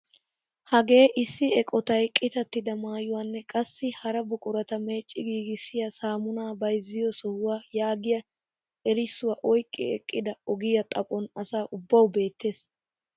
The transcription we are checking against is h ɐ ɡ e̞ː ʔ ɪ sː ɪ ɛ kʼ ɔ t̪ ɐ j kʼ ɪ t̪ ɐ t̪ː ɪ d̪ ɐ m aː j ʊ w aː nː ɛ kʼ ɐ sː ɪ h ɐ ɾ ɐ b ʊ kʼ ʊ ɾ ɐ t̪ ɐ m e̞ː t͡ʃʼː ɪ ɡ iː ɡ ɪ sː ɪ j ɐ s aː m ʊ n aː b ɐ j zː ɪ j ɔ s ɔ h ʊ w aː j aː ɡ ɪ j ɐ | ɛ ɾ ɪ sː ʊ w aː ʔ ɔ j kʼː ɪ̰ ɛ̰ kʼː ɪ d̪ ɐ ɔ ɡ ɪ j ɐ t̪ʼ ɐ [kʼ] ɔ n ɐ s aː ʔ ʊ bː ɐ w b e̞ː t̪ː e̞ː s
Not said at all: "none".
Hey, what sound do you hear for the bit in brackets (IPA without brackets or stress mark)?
pʼ